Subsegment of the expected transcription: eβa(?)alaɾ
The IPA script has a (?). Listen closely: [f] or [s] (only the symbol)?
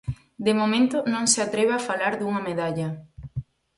f